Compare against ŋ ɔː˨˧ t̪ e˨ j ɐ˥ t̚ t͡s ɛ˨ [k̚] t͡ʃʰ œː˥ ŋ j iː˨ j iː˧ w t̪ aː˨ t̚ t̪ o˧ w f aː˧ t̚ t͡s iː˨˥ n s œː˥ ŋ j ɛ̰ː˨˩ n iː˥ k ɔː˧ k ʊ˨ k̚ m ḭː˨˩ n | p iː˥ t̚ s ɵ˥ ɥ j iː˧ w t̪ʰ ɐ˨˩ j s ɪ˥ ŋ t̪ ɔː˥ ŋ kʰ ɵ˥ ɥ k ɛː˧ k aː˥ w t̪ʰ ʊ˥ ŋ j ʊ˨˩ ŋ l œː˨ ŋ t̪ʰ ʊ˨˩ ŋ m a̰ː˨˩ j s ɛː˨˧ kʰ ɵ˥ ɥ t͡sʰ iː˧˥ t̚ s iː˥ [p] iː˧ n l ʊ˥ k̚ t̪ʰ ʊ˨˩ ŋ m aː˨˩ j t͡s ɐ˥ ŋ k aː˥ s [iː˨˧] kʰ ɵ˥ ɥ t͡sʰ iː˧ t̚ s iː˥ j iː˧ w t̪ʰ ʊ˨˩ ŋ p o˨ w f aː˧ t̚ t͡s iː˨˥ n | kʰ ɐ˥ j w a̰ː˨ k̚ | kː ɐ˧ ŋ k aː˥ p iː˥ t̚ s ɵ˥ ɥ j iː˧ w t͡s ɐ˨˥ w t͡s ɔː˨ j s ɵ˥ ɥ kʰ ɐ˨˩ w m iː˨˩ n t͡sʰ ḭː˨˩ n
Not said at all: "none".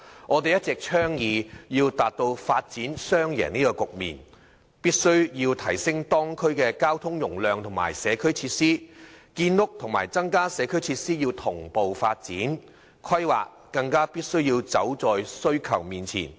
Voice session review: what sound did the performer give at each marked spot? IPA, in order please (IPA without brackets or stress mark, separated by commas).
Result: k̚, k, ɛː˨˧